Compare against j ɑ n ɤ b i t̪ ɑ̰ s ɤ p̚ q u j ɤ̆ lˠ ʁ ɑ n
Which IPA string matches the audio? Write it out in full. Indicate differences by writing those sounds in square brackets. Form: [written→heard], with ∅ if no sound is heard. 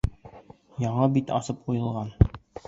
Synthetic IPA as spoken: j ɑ [n→ɴ] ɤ b i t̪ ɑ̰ s ɤ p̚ q u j ɤ̆ lˠ ʁ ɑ n